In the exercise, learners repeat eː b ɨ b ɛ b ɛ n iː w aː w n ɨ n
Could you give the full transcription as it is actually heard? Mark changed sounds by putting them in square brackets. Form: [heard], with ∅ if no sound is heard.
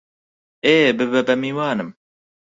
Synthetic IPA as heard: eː b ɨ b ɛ b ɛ [m] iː w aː [∅] n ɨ [m]